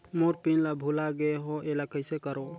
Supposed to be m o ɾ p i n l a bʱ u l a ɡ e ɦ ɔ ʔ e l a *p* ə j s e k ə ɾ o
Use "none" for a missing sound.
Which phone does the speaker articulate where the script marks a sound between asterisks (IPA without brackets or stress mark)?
k